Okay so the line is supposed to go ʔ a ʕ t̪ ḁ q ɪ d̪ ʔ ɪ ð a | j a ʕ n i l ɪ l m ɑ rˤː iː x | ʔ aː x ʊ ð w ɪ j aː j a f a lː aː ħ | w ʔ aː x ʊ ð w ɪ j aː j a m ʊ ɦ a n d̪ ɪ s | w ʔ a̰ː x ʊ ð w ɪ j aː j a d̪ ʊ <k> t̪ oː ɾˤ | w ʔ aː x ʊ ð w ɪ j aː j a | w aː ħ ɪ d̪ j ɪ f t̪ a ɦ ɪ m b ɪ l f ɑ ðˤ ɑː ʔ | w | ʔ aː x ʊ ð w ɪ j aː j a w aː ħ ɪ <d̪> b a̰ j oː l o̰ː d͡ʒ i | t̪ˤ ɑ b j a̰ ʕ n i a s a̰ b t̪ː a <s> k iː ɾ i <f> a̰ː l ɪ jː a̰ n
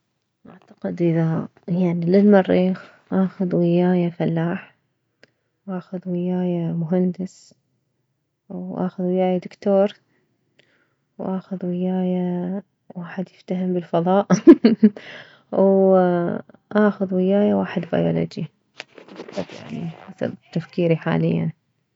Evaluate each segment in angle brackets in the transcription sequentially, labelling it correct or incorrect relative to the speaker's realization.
correct, correct, incorrect: f, incorrect: ħ

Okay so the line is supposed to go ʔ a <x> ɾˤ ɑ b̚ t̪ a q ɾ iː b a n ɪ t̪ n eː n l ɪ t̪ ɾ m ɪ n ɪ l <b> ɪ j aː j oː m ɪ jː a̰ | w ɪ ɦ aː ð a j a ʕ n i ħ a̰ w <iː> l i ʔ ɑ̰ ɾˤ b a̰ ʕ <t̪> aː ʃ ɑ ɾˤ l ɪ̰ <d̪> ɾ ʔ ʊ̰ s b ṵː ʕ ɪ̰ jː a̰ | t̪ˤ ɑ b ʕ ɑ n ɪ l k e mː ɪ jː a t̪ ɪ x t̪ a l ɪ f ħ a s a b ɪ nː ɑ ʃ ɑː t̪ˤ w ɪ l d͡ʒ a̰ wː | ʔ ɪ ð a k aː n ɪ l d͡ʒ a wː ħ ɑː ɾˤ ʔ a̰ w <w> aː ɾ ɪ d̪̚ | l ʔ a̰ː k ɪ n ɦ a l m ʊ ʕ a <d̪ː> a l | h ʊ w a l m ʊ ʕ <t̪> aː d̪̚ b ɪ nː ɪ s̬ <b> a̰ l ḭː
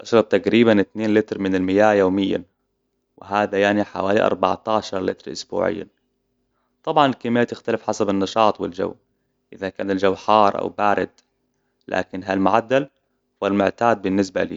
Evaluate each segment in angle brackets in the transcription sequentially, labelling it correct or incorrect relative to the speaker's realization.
incorrect: ʃ, incorrect: m, incorrect: aː, correct, incorrect: t̪, incorrect: b, correct, correct, correct

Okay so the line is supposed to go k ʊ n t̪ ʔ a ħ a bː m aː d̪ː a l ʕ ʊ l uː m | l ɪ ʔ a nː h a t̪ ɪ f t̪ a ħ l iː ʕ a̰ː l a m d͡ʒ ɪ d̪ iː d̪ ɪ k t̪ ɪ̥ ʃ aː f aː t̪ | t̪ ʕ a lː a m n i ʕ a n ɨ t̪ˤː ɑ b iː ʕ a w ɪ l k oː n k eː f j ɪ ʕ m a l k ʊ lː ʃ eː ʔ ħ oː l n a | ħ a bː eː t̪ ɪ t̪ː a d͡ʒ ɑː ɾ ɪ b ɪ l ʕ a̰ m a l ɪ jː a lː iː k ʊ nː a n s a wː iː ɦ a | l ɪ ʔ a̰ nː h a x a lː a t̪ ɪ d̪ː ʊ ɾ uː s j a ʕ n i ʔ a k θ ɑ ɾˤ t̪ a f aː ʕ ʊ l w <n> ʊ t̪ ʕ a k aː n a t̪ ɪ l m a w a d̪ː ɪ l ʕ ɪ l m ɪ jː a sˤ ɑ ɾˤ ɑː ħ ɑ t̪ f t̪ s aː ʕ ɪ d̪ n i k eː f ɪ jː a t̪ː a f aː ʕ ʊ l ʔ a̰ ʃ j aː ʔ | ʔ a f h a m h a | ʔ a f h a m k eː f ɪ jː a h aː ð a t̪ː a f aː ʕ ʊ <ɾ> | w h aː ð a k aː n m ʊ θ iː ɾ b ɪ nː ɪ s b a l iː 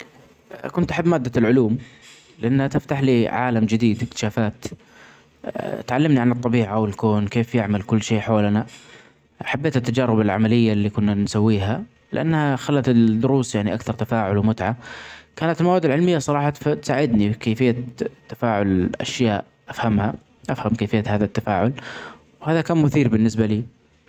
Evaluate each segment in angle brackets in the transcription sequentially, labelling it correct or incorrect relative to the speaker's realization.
incorrect: m, incorrect: l

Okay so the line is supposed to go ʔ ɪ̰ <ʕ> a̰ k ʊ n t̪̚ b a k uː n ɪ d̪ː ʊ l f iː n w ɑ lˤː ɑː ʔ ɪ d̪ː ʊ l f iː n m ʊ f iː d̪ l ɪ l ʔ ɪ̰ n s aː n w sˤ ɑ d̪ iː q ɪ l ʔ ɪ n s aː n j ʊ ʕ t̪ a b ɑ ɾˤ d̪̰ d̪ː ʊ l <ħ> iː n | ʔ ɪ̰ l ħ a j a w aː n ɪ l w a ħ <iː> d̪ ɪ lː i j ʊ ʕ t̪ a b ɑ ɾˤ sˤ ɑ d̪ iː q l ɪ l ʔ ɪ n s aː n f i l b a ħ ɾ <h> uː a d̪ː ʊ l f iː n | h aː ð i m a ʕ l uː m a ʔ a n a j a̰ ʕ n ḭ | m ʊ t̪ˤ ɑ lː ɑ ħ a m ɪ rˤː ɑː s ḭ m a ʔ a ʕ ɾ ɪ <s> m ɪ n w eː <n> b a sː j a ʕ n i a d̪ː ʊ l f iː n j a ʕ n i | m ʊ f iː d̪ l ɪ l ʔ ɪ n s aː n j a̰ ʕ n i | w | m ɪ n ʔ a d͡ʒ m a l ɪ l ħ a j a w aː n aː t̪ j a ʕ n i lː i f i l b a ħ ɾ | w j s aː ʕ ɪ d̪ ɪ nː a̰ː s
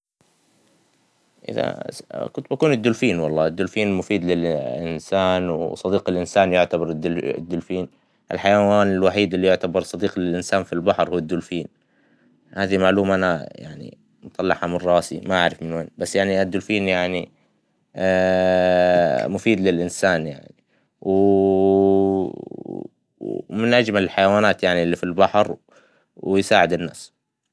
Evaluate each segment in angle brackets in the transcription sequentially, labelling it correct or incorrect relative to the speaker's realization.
incorrect: ð, incorrect: f, correct, correct, incorrect: f, correct

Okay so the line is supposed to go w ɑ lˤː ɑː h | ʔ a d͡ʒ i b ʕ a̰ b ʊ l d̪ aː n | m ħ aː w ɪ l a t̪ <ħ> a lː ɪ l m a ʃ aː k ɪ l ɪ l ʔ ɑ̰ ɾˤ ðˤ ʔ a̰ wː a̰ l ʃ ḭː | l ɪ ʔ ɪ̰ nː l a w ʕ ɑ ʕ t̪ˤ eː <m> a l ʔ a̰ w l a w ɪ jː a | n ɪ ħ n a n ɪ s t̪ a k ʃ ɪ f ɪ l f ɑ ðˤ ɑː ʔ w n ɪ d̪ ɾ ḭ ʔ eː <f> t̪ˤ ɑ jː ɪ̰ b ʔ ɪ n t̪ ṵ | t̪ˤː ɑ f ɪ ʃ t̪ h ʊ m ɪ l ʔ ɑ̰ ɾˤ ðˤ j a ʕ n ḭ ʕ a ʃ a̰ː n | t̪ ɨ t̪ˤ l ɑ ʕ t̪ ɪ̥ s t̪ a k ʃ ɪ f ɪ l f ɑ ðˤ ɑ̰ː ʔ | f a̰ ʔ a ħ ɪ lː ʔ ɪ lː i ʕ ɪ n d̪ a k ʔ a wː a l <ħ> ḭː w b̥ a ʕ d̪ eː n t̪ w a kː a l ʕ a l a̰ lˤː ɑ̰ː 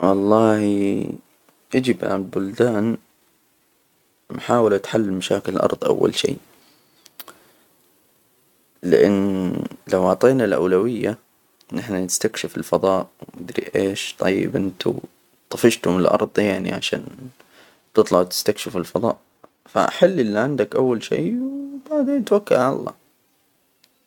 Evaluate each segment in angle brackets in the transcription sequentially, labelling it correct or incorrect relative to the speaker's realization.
correct, incorrect: n, incorrect: ʃ, incorrect: ʃ

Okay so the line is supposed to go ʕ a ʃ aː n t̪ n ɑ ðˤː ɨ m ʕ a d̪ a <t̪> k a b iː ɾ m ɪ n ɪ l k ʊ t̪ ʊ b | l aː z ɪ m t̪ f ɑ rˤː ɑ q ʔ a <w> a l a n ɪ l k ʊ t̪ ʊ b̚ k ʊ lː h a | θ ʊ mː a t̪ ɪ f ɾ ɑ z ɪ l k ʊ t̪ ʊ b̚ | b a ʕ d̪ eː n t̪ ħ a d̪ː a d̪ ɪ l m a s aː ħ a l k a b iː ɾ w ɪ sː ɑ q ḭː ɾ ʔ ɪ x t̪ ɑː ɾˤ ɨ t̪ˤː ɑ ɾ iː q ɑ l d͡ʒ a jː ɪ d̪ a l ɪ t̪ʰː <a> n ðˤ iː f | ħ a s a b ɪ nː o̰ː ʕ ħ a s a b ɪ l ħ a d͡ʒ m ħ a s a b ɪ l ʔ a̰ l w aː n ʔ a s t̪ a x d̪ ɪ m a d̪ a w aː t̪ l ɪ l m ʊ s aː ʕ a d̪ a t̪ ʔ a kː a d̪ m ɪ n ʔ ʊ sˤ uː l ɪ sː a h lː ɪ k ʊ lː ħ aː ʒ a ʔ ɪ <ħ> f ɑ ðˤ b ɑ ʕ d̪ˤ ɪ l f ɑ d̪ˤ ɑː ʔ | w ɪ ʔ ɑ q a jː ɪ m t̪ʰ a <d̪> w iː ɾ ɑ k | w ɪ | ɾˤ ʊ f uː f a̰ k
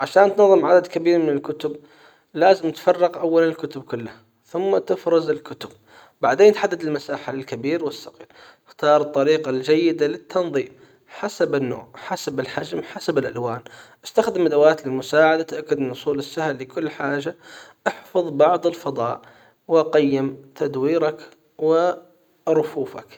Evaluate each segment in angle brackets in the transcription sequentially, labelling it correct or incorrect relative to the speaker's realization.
incorrect: d̪, incorrect: wː, incorrect: ɑ, correct, correct

